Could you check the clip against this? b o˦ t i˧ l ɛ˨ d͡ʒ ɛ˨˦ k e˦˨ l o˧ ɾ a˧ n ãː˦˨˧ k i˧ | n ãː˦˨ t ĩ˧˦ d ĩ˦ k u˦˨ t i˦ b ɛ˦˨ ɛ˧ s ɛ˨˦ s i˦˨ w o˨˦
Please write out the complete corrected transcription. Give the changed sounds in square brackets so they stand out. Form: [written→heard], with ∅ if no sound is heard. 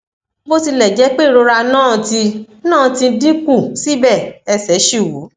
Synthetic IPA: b o˦ t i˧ l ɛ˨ d͡ʒ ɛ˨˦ [k→k͡p] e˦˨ [l→ɾ] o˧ ɾ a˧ n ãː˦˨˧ [k→t] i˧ | n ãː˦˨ t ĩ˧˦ d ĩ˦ k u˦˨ [t→s] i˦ b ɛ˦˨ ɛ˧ s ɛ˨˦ [s→ʃ] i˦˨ w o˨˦